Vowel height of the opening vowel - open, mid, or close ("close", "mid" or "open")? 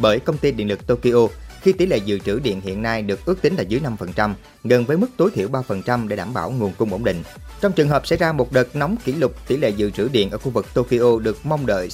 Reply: mid